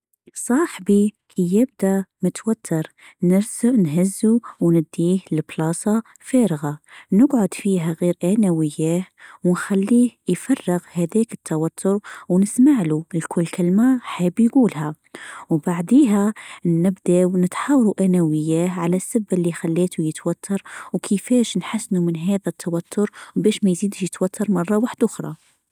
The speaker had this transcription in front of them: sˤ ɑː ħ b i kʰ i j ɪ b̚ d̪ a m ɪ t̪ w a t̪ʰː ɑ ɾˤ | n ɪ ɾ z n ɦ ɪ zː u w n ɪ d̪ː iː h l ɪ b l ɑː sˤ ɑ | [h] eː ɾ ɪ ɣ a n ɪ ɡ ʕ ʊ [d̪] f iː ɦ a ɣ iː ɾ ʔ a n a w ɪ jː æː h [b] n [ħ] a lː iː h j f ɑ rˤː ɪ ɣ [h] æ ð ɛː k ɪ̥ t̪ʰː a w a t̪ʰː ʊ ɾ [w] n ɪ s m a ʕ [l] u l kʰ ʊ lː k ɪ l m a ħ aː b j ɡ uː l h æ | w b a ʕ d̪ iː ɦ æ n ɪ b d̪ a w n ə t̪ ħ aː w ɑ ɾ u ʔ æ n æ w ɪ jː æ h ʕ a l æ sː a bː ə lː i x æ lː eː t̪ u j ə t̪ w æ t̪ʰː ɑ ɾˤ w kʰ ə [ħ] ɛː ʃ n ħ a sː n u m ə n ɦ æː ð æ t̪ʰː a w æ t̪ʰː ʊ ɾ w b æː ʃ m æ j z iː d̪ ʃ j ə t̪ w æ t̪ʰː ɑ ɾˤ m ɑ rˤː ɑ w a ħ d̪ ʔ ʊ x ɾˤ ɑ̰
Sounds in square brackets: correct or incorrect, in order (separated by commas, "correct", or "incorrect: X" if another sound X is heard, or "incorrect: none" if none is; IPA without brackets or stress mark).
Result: incorrect: f, correct, incorrect: w, incorrect: x, correct, correct, correct, incorrect: f